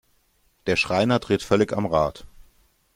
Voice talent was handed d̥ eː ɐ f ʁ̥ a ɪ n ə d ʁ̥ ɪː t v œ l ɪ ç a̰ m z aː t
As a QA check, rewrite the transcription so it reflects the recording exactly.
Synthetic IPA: d̥ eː ɐ ʃ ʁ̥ a ɪ n ɐ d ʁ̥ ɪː t f œ l ɪ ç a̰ m ʁ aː t